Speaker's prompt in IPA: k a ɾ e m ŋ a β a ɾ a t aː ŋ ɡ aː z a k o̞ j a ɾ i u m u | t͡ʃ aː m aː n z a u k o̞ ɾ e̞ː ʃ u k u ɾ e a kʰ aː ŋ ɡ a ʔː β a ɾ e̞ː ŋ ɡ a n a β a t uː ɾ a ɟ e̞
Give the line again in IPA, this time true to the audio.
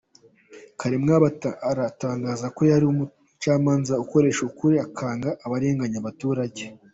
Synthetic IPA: k a ɾ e m ŋ a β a ɾ a t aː ŋ ɡ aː z a k o̞ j a ɾ i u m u | t͡ʃ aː m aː n z a u k o̞ ɾ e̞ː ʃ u k u ɾ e a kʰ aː ŋ ɡ a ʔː β a ɾ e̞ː ŋ ɡ a ɲ a β a t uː ɾ a ɟ e̞

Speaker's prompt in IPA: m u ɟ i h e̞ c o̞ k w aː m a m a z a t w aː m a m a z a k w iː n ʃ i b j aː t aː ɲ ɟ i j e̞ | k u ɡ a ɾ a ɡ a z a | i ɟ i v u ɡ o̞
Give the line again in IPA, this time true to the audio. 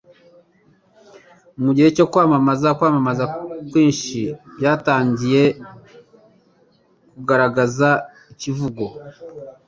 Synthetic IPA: m u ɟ i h e̞ c o̞ k w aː m a m a z a k w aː m a m a z a k w iː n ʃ i b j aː t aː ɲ ɟ i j e̞ | k u ɡ a ɾ a ɡ a z a | i c i v u ɡ o̞

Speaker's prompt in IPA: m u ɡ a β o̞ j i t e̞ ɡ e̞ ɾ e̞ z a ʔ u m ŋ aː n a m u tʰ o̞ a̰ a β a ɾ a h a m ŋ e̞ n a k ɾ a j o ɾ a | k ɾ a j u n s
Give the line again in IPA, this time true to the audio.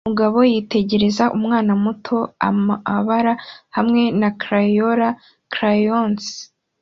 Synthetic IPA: m u ɡ a β o̞ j i t e̞ ɟ e̞ ɾ e̞ z a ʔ u m ŋ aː n a m u tʰ o̞ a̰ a β a ɾ a h a m ŋ e̞ n a k ɾ a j o ɾ a | k ɾ a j o n s

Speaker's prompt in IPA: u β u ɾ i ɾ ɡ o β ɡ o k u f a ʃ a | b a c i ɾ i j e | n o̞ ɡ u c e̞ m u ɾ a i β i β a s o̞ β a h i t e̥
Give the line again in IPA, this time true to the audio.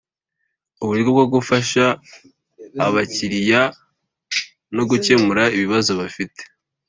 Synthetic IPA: u β u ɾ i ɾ ɡ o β ɡ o ɡ u f a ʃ a | β a c i ɾ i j a | n o̞ ɡ u c e̞ m u ɾ a i β i β a z o̞ β a f i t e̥

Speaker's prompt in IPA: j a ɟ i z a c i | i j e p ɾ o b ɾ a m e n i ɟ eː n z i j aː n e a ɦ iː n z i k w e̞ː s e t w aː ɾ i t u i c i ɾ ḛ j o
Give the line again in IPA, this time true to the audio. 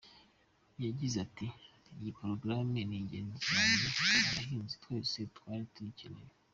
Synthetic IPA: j a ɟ i z a t i | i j i p ɾ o ɡ ɾ a m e n i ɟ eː n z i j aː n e a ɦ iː n z i t w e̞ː s e t w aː ɾ i t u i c i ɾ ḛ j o

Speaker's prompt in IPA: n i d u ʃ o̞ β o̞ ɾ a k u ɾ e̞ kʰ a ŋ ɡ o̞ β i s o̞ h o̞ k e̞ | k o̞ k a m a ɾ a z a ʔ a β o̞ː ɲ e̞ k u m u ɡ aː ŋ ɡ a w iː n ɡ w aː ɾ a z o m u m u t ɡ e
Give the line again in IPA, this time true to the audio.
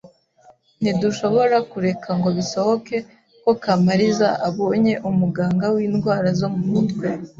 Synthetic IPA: n i d u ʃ o̞ β o̞ ɾ a k u ɾ e̞ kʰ a ŋ ɡ o̞ β i s o̞ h o̞ k e̞ | k o̞ k a m a ɾ i z a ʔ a β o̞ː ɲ e̞ ʔ u m u ɡ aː ŋ ɡ a w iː n ɡ w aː ɾ a z o m u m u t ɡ e

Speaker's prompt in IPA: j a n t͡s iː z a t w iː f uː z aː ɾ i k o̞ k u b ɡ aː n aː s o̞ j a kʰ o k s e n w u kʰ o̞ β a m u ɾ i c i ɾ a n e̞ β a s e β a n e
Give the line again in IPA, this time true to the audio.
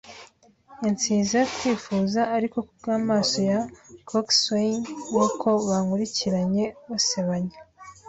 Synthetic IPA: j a n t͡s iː z a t w iː f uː z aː ɾ i k o̞ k u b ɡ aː m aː s o̞ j a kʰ o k s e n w o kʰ o̞ β a ŋ u ɾ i c i ɾ a ɲ e̞ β a s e β a ɲ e

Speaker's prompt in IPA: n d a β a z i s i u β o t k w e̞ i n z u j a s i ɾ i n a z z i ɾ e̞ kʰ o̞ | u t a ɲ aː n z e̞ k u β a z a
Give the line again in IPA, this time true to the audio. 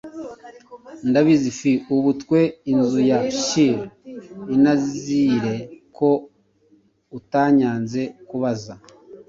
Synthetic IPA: n d a β i z i f i u β u t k w e̞ i n z u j a ʃ i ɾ i n a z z i ɾ e̞ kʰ o̞ | u t a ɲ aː n z e̞ k u β a z a

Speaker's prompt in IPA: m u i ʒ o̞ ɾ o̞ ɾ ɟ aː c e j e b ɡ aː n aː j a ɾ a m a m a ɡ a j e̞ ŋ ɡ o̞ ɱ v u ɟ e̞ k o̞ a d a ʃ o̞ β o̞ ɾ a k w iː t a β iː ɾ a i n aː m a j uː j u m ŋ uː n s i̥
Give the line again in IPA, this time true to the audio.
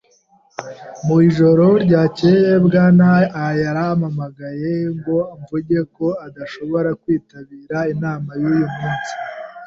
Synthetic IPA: m u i ʒ o̞ ɾ o̞ ɾ ɟ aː c e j e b ɡ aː n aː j a ɾ a m a m a ɡ a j e̞ ŋ ɡ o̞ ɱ v u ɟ e̞ k o̞ a d a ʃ o̞ β o̞ ɾ a k w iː t a β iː ɾ a i n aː m a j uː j u m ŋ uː n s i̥

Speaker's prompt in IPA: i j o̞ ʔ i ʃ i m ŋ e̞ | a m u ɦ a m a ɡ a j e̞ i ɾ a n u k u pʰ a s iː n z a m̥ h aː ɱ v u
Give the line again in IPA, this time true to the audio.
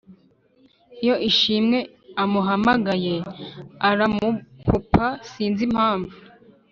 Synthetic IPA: i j o̞ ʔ i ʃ i m ŋ e̞ | a m u ɦ a m a ɡ a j e̞ a ɾ a m u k u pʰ a s iː n z i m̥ h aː ɱ v u

